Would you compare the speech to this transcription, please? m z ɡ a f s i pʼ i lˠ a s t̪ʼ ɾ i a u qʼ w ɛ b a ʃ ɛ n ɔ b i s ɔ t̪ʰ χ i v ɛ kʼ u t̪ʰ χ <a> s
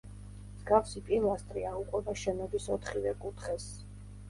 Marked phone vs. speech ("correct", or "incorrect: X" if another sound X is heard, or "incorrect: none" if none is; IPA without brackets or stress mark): incorrect: ɛ